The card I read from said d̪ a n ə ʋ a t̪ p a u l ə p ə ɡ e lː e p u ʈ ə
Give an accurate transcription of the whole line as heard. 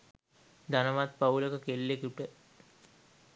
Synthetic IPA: d̪ a n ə ʋ a t̪ p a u l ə k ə k e lː e k u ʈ ə